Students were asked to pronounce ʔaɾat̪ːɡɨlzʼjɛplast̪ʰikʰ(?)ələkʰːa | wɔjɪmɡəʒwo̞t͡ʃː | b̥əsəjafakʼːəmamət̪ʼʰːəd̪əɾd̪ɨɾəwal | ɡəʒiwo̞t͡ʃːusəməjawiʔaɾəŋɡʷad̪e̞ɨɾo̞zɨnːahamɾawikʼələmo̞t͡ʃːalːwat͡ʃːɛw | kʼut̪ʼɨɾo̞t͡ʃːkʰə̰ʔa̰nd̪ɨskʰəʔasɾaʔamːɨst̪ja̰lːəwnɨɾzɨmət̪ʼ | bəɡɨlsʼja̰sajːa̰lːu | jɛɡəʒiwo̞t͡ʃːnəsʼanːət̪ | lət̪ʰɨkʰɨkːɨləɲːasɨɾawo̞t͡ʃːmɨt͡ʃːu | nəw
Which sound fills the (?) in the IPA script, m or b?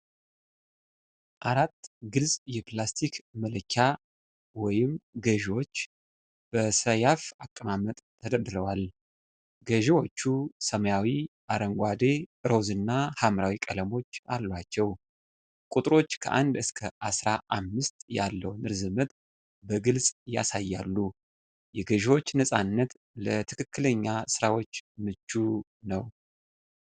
m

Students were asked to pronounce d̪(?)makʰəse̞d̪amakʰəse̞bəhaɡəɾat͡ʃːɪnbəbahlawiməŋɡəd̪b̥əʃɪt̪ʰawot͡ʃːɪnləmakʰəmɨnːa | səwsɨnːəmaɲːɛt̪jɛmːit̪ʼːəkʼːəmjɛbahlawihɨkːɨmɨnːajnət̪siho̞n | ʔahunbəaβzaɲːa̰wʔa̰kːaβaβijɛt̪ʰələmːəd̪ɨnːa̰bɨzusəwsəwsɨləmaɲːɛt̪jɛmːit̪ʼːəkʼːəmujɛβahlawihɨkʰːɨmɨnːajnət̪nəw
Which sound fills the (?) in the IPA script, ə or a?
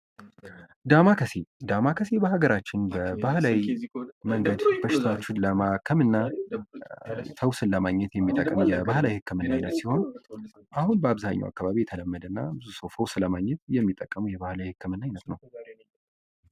a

